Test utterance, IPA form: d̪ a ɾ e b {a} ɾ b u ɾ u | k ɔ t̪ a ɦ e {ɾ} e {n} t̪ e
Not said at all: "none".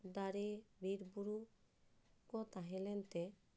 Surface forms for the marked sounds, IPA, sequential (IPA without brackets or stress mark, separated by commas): i, l, n